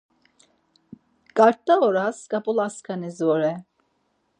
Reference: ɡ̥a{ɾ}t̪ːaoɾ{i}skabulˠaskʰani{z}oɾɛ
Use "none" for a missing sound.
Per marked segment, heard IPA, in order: ɾ, a, z

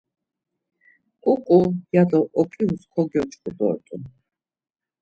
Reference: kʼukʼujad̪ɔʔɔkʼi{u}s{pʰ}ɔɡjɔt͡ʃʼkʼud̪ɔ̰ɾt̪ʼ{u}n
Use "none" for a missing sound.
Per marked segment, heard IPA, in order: u, kʰ, u

